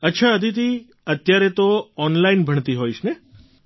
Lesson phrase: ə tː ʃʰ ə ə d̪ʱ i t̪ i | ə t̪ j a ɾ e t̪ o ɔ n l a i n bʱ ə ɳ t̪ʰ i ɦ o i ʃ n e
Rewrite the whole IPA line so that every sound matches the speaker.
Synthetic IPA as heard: ə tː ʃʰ a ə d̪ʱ i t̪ i | ə t̪ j a ɾ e t̪ o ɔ n l a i n bʱ ə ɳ t̪ i ɦ o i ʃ n e